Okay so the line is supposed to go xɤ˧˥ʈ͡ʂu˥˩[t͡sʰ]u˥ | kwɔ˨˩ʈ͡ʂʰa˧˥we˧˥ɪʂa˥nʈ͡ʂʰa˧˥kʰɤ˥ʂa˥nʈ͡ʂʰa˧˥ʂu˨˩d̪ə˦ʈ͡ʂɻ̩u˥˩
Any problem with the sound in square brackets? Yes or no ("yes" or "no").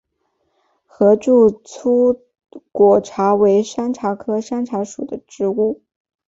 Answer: no